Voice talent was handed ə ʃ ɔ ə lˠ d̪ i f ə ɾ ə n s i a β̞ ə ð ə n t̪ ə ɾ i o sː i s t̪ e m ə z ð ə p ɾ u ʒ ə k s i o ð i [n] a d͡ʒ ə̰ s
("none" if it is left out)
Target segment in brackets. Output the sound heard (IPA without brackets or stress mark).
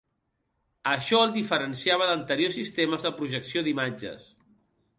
m